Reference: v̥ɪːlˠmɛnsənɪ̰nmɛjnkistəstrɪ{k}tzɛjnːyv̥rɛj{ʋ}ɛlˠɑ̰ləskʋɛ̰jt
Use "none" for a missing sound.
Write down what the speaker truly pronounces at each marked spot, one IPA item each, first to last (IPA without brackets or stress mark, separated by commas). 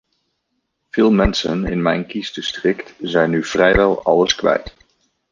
k, ʋ